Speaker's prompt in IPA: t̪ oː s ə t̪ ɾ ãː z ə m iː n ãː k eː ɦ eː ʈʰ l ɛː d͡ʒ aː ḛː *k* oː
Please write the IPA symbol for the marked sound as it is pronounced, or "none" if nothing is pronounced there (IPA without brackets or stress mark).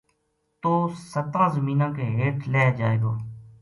ɡ